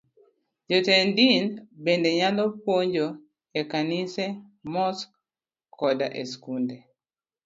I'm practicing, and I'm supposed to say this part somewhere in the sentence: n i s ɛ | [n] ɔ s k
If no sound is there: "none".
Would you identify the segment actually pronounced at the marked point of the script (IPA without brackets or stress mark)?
m